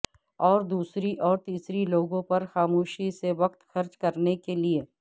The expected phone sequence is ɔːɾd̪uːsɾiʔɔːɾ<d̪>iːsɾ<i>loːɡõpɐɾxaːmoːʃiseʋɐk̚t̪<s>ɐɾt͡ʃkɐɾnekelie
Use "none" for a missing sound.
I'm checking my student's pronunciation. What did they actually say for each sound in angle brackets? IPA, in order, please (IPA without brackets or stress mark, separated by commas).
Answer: t̪, i, x